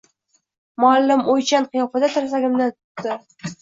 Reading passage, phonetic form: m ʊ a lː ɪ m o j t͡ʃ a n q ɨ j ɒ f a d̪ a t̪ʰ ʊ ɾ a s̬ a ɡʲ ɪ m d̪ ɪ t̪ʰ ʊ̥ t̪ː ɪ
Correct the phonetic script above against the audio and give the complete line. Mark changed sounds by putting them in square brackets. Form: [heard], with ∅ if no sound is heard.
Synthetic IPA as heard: m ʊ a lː ɪ m o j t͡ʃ a n q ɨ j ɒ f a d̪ a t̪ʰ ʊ ɾ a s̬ a ɡʲ ɪ m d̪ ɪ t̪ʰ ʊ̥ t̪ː ɪ